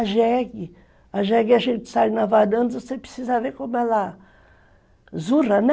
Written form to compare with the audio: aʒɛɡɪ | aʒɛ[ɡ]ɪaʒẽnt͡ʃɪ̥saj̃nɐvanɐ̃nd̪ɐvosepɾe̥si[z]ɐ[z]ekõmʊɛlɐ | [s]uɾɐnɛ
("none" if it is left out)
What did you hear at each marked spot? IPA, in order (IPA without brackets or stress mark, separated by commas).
ɡ, z, v, z